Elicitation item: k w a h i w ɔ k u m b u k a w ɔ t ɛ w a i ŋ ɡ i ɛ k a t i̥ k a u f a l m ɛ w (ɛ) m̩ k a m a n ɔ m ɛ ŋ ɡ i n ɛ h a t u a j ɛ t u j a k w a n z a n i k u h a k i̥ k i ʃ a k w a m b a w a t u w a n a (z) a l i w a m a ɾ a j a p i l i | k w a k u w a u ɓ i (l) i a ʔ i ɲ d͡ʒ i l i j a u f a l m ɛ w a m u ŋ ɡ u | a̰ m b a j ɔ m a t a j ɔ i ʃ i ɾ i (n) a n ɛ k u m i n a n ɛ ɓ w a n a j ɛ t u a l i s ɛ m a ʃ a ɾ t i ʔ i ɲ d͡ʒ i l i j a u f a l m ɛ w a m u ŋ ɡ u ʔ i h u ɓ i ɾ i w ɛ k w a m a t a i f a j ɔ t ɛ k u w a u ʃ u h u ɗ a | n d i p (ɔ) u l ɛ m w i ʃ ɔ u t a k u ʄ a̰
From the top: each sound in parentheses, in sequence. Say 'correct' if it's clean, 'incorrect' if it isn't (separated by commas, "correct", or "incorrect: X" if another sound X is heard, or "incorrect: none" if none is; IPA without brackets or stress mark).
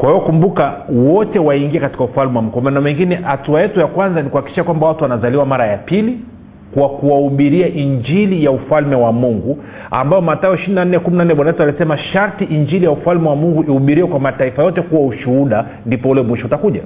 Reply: incorrect: a, correct, incorrect: ɾ, correct, correct